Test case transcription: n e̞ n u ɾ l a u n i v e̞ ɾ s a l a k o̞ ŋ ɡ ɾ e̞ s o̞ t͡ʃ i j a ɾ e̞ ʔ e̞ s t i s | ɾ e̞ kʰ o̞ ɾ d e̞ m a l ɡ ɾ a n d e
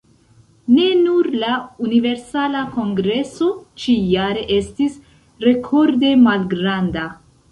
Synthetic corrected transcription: n e̞ n u ɾ l a u n i v e̞ ɾ s a l a k o̞ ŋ ɡ ɾ e̞ s o̞ t͡ʃ i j a ɾ e̞ ʔ e̞ s t i s | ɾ e̞ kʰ o̞ ɾ d e̞ m a l ɡ ɾ a n d a

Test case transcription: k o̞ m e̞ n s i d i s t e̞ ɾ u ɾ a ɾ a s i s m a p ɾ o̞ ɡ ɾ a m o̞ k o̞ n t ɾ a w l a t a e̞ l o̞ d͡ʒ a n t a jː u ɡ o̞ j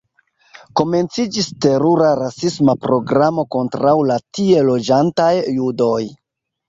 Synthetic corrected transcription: k o̞ m e̞ n t͡s i d͡ʒ i s t e̞ ɾ u ɾ a ɾ a s i s m a p ɾ o̞ ɡ ɾ a m o̞ k o̞ n t ɾ a w l a t i e̞ l o̞ d͡ʒ a n t a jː u d o̞ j

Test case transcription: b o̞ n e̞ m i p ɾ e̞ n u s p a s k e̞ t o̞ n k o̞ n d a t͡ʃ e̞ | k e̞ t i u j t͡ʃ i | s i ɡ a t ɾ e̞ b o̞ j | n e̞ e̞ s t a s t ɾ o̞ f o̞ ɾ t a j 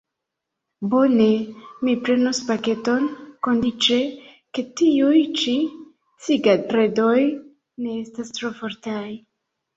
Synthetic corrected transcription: b o̞ n e̞ m i p ɾ e̞ n u s p a k e̞ t o̞ n k o̞ n d i t͡ʃ e̞ | k e̞ t i u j t͡ʃ i | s i ɡ a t ɾ e̞ d o̞ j | n e̞ e̞ s t a s t ɾ o̞ f o̞ ɾ t a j

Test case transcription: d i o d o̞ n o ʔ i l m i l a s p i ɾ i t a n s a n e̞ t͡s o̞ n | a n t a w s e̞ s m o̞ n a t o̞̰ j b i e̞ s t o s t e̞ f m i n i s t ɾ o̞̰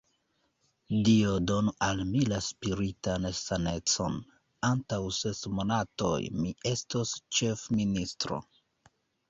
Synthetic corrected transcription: d i o d o̞ n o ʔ a l m i l a s p i ɾ i t a n s a n e̞ t͡s o̞ n | a n t a w s e̞ s m o̞ n a t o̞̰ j m i e̞ s t o s t͡ʃ e̞ f m i n i s t ɾ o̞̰

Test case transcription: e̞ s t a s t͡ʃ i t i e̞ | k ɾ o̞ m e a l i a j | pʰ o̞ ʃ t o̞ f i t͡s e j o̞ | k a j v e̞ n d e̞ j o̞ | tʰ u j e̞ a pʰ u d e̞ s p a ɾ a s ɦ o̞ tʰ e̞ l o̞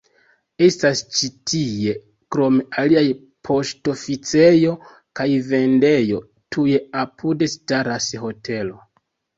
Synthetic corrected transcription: e̞ s t a s t͡ʃ i t i e̞ | k ɾ o̞ m e a l i a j | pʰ o̞ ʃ t o̞ f i t͡s e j o̞ | k a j v e̞ n d e̞ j o̞ | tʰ u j e̞ a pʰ u d e̞ s t a ɾ a s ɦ o̞ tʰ e̞ l o̞

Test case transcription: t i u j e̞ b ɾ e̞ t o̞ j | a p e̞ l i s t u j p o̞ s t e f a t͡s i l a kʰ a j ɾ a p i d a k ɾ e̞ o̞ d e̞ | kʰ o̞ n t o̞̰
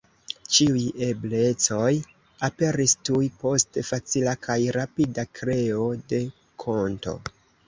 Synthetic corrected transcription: t͡ʃ i u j e̞ b l e̞ t͡s o̞ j | a p e̞ ɾ i s t u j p o̞ s t e f a t͡s i l a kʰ a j ɾ a p i d a k ɾ e̞ o̞ d e̞ | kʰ o̞ n t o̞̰

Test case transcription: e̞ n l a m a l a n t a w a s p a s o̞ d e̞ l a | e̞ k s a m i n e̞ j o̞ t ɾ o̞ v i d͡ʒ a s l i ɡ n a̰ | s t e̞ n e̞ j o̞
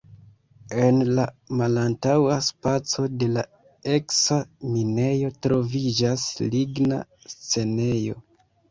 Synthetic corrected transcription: e̞ n l a m a l a n t a w a s p a t͡s o̞ d e̞ l a | e̞ k s a m i n e̞ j o̞ t ɾ o̞ v i d͡ʒ a s l i ɡ n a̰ | s t͡s e̞ n e̞ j o̞

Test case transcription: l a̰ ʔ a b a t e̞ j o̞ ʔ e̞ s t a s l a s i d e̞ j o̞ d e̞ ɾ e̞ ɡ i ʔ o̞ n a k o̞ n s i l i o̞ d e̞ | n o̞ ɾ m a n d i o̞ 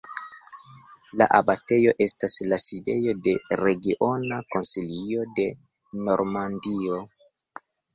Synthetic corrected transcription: l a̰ ʔ a b a t e̞ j o̞ ʔ e̞ s t a s l a s i d e̞ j o̞ d e̞ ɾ e̞ ɡ i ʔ o̞ n a k o̞ n s i l i o̞ d e̞ | n o̞ ɾ m a n d i o̞

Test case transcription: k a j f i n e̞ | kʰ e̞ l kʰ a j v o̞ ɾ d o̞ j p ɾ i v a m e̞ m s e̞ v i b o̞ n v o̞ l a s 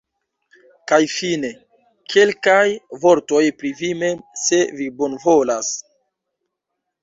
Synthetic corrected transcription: k a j f i n e̞ | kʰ e̞ l k a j v o̞ ɾ t o̞ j p ɾ i v i m e̞ m s e̞ v i b o̞ n v o̞ l a s

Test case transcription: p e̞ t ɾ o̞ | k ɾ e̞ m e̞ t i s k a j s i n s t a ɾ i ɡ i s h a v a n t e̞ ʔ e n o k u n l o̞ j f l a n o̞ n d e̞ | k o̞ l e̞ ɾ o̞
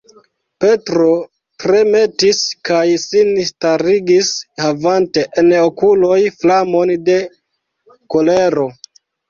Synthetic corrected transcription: p e̞ t ɾ o̞ | t ɾ e̞ m e̞ t i s k a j s i n s t a ɾ i ɡ i s h a v a n t e̞ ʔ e n o k u l o̞ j f l a m o̞ n d e̞ | k o̞ l e̞ ɾ o̞

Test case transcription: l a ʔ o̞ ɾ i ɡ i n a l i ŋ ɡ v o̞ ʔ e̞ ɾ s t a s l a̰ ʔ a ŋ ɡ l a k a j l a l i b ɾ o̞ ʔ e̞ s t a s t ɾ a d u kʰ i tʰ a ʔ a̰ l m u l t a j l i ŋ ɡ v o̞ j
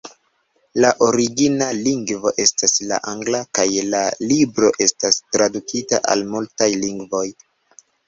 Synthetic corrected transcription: l a ʔ o̞ ɾ i ɡ i n a l i ŋ ɡ v o̞ ʔ e̞ s t a s l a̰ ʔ a ŋ ɡ l a k a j l a l i b ɾ o̞ ʔ e̞ s t a s t ɾ a d u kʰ i t a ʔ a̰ l m u l t a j l i ŋ ɡ v o̞ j

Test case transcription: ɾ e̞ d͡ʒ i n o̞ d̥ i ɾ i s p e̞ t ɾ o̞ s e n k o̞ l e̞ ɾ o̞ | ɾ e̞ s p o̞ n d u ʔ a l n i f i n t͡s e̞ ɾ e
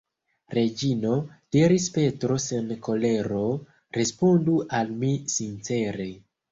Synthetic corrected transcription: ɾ e̞ d͡ʒ i n o̞ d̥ i ɾ i s p e̞ t ɾ o̞ s e n k o̞ l e̞ ɾ o̞ | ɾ e̞ s p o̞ n d u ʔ a l m i s i n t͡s e̞ ɾ e

